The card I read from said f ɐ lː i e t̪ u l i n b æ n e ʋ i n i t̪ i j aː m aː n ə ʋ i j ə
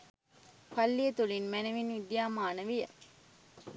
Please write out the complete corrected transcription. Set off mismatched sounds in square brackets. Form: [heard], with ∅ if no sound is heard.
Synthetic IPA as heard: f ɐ lː i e t̪ u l i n [m] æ n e ʋ i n i [d̪] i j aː m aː n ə ʋ i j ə

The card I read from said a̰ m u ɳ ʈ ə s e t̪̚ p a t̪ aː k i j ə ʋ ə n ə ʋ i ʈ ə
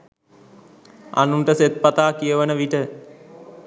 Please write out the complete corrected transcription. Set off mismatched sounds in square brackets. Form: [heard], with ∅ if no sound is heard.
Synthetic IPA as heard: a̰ [n] u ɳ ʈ ə s e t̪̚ p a t̪ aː k i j ə ʋ ə n ə ʋ i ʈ ə

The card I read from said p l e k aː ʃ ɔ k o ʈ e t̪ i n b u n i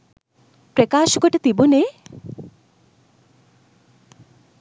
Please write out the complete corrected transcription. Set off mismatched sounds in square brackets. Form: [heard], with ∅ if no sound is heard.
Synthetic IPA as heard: p [ɾ] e k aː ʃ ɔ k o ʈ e t̪ i [∅] b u n [e]

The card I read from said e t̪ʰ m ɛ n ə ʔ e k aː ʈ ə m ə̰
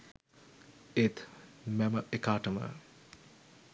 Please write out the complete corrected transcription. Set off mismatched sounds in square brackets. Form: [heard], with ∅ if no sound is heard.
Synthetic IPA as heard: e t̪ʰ m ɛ [m] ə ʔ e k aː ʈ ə m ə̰

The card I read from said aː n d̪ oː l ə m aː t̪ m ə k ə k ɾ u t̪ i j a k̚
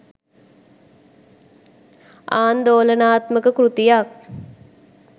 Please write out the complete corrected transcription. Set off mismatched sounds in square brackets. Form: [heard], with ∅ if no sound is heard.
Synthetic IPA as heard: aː n d̪ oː l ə [n] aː t̪ m ə k ə k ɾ u t̪ i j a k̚

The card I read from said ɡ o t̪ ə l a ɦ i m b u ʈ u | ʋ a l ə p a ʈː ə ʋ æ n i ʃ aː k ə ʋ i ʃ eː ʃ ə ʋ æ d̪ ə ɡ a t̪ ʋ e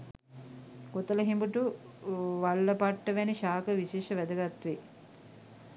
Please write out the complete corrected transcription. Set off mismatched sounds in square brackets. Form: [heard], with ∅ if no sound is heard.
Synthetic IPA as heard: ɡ o t̪ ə l [ə] ɦ i m b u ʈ u | ʋ a [lː] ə p a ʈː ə ʋ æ n i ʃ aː k ə ʋ i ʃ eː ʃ ə ʋ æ d̪ ə ɡ a t̪ ʋ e

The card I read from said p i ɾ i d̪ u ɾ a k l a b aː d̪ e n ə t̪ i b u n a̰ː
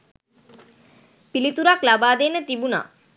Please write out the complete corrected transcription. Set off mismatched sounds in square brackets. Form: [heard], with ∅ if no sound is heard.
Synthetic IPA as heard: p i [l] i [t̪] u ɾ a k l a b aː d̪ e n ə t̪ i b u n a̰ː

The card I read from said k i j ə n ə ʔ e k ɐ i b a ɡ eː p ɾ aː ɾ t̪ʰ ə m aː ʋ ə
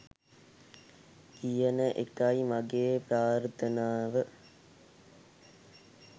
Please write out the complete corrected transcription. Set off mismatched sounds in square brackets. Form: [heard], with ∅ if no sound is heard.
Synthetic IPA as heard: k i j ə n ə ʔ e k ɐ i [m] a ɡ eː p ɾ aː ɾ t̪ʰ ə [n] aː ʋ ə

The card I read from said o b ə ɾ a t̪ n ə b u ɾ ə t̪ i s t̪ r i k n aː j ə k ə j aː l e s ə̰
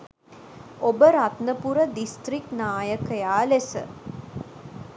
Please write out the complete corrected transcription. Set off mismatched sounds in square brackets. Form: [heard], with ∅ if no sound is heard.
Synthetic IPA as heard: o b ə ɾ a t̪ n ə [p] u ɾ ə [d̪] i s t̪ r i k n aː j ə k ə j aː l e s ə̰

